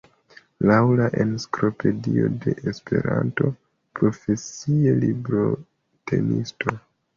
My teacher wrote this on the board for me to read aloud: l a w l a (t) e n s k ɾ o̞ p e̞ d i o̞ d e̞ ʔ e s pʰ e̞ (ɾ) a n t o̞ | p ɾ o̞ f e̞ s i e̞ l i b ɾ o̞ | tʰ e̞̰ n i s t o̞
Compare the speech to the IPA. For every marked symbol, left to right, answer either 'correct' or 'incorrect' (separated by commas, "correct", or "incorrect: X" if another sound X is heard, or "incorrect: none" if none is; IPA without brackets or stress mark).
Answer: incorrect: ʔ, correct